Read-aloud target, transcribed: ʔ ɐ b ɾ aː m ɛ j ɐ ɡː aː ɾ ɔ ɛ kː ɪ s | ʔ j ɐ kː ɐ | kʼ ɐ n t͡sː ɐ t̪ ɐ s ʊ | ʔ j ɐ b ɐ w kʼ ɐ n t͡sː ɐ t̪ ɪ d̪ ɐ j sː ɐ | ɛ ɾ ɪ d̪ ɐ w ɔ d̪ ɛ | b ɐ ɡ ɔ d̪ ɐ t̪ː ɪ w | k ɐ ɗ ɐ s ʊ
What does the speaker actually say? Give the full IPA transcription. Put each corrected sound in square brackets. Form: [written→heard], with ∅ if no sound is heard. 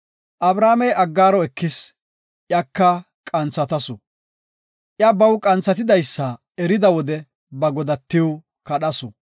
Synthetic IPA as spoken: ʔ ɐ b ɾ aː m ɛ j ɐ ɡː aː ɾ ɔ ɛ kː ɪ s | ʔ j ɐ kː ɐ | kʼ ɐ n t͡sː ɐ t̪ ɐ s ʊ | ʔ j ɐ b ɐ w kʼ ɐ n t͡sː ɐ t̪ ɪ d̪ ɐ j sː ɐ | ɛ ɾ ɪ d̪ ɐ w ɔ d̪ ɛ | b ɐ ɡ ɔ d̪ ɐ t̪ː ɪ w | k ɐ ɗ ɐ s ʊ

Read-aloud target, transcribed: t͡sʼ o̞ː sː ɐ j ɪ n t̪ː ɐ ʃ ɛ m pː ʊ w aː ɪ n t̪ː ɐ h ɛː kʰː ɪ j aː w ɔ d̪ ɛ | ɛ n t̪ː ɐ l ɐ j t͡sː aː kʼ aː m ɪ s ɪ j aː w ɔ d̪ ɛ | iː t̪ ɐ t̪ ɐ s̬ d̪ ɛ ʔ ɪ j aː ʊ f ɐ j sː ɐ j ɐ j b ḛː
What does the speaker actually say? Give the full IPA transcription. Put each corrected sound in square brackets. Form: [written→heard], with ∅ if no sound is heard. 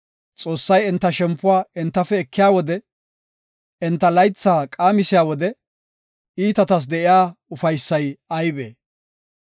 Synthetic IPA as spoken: t͡sʼ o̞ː sː ɐ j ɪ n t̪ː ɐ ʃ ɛ m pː ʊ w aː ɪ n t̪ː ɐ [h→f] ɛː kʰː ɪ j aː w ɔ d̪ ɛ | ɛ n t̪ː ɐ l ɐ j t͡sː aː kʼ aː m ɪ s ɪ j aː w ɔ d̪ ɛ | iː t̪ ɐ t̪ ɐ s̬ d̪ ɛ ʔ ɪ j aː ʊ f ɐ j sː ɐ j ɐ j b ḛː

